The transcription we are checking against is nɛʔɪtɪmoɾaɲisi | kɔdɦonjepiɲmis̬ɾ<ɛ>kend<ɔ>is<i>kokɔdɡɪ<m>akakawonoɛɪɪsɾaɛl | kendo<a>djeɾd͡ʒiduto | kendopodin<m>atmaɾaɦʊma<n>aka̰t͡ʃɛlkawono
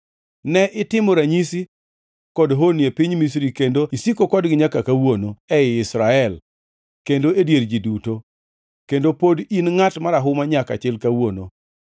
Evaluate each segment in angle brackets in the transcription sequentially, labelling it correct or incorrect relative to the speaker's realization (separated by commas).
incorrect, incorrect, correct, incorrect, incorrect, incorrect, incorrect